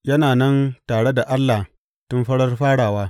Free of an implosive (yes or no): yes